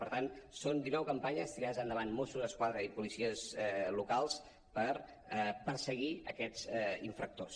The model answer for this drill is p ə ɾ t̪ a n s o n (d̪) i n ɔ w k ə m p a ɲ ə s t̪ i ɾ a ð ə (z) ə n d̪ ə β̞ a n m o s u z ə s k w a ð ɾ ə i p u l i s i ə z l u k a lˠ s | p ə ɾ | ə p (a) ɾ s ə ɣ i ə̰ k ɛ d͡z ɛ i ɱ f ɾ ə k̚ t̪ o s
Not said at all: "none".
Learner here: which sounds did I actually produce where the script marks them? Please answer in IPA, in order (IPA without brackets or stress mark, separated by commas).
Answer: d̪, z, ə